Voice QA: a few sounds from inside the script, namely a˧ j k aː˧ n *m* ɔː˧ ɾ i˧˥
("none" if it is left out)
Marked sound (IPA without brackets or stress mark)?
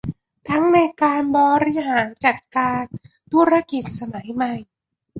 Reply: b